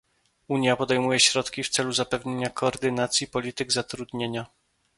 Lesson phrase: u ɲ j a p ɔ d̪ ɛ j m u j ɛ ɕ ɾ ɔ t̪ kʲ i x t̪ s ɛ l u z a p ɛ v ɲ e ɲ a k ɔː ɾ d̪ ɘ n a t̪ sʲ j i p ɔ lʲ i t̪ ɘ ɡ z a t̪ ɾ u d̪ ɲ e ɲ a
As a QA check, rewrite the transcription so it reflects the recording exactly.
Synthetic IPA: u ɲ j a p ɔ d̪ ɛ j m u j ɛ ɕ ɾ ɔ t̪ kʲ i f t̪ s ɛ l u z a p ɛ v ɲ e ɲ a k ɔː ɾ d̪ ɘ n a t̪ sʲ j i p ɔ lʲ i t̪ ɘ ɡ z a t̪ ɾ u d̪ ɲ e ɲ a